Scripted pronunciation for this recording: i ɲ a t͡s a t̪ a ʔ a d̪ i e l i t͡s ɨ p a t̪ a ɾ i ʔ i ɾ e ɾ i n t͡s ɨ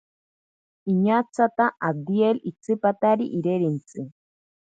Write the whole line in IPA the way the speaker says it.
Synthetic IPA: i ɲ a t͡s a t̪ a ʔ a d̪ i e l i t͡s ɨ p a t̪ a ɾ i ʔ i ɾ e ɾ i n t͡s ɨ